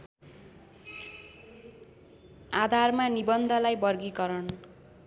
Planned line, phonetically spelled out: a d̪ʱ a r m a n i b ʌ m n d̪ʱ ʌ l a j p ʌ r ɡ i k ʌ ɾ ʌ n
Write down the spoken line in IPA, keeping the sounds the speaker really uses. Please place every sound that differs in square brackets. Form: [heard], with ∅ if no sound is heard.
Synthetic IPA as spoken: a d̪ʱ a r m a n i b ʌ [∅] n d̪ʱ ʌ l a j [b] ʌ r ɡ i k ʌ ɾ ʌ n